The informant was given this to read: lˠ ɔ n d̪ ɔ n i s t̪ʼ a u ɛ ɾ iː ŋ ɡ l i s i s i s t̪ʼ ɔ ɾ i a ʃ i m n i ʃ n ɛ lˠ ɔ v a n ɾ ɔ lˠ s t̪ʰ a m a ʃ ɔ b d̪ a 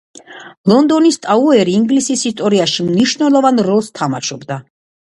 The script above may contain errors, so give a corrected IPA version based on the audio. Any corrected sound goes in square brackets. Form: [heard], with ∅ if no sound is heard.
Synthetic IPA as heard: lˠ ɔ n d̪ ɔ n i s t̪ʼ a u ɛ ɾ iː ŋ ɡ l i s i s i s t̪ʼ ɔ ɾ i a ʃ i m n i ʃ n ɛ lˠ ɔ v a n ɾ ɔ lˠ s t̪ʰ a m a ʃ ɔ b d̪ a